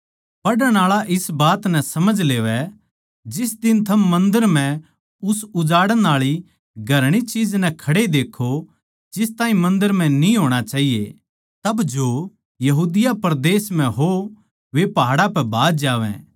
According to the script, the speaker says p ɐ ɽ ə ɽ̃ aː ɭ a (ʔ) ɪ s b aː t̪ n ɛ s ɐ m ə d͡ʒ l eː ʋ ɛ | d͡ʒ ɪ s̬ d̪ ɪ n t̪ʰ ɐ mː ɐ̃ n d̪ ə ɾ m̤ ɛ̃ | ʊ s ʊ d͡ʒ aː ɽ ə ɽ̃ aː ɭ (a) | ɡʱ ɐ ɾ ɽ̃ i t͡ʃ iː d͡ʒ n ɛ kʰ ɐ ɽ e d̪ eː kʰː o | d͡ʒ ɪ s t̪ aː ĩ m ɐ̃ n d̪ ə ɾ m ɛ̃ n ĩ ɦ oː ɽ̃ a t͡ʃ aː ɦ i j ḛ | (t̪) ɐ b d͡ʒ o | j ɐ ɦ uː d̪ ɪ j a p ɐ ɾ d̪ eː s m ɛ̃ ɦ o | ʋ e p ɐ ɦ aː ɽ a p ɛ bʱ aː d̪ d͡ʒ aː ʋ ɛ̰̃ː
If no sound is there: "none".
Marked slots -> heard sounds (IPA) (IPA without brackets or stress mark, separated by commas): ʔ, i, t̪